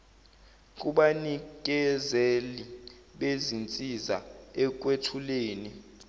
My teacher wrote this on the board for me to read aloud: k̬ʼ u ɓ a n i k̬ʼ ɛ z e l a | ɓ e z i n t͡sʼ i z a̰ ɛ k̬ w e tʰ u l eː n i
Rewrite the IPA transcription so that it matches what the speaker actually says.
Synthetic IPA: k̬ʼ u ɓ a n i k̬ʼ ɛ z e l i | ɓ e z i n t͡sʼ i z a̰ ɛ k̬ w e tʰ u l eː n i